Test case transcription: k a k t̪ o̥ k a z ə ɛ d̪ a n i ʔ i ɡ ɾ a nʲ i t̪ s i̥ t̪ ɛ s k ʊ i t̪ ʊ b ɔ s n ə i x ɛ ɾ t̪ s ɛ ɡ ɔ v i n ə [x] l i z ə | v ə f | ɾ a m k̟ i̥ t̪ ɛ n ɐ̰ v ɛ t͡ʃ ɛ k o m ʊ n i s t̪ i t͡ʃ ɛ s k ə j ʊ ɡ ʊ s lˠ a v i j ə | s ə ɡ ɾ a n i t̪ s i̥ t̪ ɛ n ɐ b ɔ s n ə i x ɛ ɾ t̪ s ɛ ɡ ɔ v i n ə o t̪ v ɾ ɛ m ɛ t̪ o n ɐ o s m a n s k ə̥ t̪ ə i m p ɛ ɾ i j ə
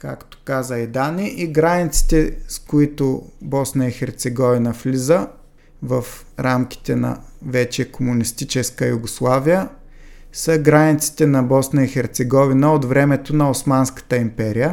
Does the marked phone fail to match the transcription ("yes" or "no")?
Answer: yes